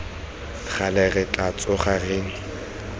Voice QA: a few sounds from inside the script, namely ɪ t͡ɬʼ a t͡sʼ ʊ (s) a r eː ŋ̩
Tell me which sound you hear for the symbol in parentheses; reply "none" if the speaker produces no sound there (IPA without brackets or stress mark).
χ